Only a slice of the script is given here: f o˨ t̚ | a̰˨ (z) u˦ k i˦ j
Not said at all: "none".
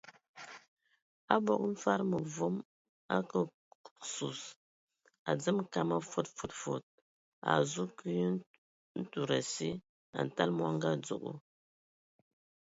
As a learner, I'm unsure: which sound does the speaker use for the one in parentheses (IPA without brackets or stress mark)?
z